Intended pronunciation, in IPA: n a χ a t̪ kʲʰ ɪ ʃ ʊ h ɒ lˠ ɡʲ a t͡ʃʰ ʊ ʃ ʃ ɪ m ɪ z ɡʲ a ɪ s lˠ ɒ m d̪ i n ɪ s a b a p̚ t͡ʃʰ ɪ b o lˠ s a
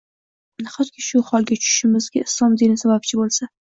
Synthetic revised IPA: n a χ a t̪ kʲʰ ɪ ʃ ʊ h ɒ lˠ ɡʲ a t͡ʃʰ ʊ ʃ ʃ ɪ m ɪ z ɡʲ a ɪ s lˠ ɒ m d̪ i n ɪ s a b a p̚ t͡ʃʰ ɪ b o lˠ s a